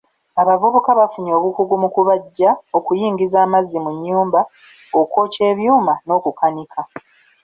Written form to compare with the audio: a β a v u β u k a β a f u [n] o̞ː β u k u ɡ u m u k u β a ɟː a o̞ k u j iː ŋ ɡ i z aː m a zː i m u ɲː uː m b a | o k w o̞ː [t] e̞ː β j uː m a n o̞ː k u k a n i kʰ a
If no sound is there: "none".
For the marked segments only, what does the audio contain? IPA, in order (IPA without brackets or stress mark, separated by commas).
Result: ɲ, c